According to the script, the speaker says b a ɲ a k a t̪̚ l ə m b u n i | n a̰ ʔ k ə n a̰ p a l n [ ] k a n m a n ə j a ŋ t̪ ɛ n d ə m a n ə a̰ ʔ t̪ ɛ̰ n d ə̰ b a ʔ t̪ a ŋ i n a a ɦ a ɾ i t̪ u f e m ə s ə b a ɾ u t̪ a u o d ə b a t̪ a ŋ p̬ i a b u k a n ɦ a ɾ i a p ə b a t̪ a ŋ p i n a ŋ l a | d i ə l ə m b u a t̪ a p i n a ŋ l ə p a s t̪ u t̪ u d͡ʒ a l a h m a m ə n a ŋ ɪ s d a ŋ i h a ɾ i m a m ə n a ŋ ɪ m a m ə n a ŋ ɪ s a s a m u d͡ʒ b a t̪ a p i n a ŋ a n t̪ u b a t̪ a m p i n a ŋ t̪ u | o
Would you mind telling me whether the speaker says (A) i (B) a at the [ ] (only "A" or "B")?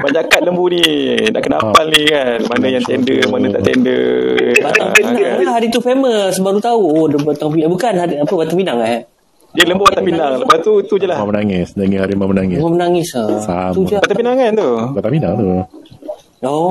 A